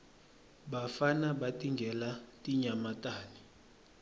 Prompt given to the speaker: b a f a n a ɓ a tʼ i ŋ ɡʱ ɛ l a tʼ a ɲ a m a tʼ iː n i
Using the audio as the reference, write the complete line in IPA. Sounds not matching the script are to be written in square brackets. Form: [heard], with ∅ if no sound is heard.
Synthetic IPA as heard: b a f a n a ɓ a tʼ i ŋ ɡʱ ɛ l a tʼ [i] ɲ a m a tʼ [aː] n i